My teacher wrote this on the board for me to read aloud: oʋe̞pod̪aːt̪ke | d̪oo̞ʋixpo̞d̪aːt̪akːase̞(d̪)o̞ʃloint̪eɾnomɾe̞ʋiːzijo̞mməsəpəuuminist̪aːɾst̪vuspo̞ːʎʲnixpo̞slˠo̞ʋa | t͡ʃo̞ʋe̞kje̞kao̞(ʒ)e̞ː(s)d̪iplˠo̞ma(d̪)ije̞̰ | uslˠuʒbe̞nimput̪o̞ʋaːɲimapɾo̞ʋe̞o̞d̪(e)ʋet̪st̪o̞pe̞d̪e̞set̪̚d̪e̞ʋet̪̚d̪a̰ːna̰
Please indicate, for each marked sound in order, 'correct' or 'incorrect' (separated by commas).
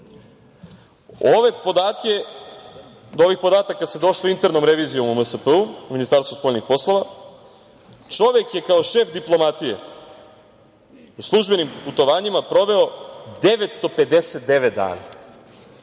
correct, incorrect, incorrect, incorrect, correct